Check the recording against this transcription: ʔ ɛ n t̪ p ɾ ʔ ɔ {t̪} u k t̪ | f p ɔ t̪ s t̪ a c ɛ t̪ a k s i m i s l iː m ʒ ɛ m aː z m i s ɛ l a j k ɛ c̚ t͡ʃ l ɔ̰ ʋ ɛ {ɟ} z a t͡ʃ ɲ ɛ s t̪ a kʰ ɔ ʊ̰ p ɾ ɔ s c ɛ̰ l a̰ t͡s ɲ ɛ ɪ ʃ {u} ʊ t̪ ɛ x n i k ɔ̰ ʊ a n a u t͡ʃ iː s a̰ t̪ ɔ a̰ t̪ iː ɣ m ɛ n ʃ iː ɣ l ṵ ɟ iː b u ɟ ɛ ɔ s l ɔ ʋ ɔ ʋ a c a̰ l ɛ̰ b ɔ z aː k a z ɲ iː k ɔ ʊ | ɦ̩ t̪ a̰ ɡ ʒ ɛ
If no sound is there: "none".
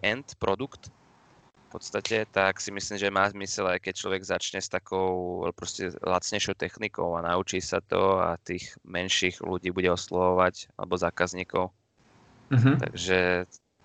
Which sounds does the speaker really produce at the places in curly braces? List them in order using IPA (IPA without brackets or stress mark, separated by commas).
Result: d̪, ɡ, ɔ